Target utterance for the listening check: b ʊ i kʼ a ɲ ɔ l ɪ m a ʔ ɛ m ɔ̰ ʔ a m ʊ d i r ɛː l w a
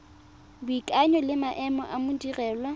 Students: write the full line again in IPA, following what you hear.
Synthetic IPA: b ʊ i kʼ a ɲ ɔ l ɪ m a ʔ ɛ m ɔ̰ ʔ a m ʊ d i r ɛː l w a